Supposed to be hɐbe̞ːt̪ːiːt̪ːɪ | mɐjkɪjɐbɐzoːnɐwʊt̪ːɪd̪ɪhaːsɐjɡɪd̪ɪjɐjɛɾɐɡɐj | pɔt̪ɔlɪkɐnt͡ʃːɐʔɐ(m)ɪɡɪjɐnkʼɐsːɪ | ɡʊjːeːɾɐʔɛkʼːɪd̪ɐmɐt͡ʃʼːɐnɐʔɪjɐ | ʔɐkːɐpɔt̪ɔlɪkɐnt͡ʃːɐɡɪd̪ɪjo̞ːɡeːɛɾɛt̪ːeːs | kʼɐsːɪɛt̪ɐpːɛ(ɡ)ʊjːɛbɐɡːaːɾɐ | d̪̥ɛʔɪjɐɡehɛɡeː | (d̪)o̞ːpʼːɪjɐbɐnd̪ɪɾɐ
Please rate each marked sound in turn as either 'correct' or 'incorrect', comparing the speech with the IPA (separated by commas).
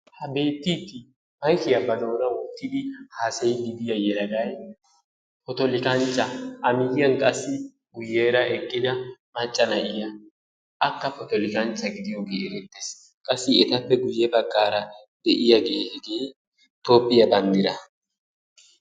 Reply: correct, correct, incorrect